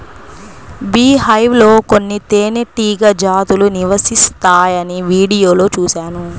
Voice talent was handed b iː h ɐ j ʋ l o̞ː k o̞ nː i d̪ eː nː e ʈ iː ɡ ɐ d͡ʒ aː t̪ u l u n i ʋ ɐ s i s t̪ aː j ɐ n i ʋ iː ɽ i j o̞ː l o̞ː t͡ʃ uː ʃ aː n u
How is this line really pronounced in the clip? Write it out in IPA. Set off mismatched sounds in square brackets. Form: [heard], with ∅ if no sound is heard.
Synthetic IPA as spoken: b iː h ɐ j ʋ l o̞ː k o̞ nː i [t̪] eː [n] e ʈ iː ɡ ɐ d͡ʒ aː t̪ u l u n i ʋ ɐ s i s t̪ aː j ɐ n i ʋ iː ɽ i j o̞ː l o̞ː t͡ʃ uː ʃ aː n u